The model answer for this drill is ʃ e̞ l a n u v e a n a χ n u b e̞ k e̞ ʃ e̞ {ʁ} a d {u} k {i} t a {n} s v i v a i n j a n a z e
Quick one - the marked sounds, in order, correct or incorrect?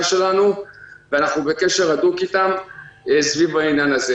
correct, correct, correct, incorrect: m

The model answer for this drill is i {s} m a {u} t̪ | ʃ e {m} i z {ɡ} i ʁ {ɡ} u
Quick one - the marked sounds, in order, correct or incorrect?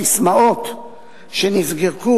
correct, incorrect: o, incorrect: n, correct, incorrect: k

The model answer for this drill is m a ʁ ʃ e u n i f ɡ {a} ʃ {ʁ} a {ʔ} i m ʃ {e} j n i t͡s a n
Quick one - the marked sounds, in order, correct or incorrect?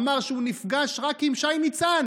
correct, correct, incorrect: k, incorrect: a

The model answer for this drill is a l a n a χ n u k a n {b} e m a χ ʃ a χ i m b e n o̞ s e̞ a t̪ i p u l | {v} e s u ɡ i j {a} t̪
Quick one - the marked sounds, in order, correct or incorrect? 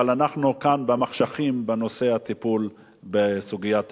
correct, incorrect: b, correct

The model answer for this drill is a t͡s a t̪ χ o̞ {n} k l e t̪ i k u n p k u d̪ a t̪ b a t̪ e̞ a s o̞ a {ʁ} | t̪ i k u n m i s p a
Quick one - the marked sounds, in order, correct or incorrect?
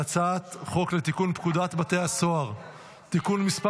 incorrect: none, correct

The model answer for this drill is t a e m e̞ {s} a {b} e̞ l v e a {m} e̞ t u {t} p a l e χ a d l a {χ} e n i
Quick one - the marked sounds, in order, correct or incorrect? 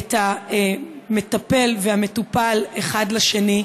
incorrect: t, incorrect: p, correct, incorrect: none, incorrect: ʃ

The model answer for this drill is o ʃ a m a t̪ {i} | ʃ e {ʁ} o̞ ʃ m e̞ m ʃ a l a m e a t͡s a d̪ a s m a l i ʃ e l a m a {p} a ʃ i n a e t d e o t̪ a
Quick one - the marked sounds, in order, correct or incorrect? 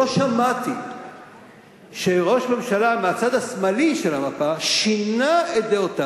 correct, correct, correct

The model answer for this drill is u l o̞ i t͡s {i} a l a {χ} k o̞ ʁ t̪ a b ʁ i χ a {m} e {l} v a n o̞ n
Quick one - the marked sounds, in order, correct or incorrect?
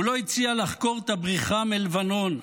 correct, correct, correct, correct

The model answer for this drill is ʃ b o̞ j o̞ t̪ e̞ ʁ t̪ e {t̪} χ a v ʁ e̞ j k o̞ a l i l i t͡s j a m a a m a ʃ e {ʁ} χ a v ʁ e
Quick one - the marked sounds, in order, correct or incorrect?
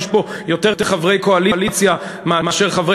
incorrect: none, correct

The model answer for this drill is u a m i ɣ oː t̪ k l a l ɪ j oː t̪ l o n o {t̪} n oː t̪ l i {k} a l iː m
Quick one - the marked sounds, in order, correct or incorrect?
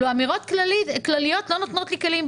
correct, correct

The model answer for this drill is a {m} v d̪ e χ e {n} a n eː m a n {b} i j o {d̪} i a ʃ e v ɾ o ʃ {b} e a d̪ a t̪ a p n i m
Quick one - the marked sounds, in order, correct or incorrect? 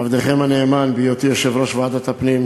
incorrect: none, incorrect: m, correct, incorrect: t̪, incorrect: v

